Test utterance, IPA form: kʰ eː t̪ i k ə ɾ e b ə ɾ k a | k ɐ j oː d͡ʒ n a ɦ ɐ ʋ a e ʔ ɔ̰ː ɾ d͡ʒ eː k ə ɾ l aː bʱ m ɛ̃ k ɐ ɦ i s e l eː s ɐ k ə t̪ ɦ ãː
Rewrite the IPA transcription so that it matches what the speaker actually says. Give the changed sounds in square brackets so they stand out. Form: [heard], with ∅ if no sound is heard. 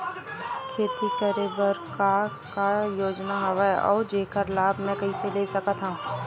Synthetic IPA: kʰ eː t̪ i k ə ɾ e b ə ɾ k a | k [a] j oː d͡ʒ n a ɦ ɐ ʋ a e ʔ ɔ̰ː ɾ d͡ʒ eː k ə ɾ l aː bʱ m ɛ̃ k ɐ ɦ i s e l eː s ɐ k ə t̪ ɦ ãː